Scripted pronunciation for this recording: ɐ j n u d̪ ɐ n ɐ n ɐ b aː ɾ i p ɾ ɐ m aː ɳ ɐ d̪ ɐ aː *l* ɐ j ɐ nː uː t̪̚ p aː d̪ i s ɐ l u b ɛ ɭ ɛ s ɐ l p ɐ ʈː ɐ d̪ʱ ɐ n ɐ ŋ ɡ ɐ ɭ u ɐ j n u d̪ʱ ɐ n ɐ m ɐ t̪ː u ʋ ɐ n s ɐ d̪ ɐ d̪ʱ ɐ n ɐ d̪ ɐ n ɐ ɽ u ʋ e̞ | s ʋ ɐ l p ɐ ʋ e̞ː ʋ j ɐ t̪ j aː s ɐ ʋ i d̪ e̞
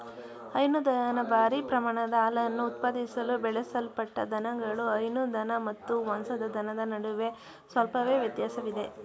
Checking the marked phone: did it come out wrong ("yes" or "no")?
no